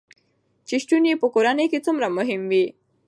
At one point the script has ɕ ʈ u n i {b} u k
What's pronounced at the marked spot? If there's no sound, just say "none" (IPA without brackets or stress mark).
p